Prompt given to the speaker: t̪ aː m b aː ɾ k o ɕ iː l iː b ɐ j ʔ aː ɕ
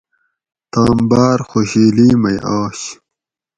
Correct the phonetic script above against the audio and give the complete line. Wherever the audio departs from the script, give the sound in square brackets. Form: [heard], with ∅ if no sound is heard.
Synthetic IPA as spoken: t̪ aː m b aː ɾ [x] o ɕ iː l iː [m] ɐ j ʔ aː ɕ